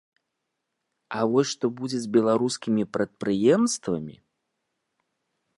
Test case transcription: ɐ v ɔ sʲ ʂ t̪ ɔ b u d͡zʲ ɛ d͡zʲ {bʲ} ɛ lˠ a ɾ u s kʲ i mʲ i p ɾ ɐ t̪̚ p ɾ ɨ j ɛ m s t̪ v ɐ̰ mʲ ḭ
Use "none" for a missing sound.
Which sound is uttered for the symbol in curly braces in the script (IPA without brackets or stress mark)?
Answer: bʲ